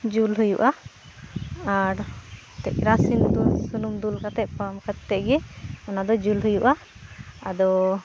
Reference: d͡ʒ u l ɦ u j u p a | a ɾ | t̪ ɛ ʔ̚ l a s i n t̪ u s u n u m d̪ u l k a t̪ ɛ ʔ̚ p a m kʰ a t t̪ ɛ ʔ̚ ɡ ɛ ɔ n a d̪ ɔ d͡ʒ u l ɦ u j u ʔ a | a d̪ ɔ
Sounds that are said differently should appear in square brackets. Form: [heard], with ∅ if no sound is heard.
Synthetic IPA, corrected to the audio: d͡ʒ u l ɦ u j u [ʔ] a | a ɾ | t̪ ɛ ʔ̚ [ɾ] a s i n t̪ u s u n u m d̪ u l k a t̪ ɛ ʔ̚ p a m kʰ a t t̪ ɛ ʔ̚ ɡ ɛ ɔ n a d̪ ɔ d͡ʒ u l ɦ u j u ʔ a | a d̪ ɔ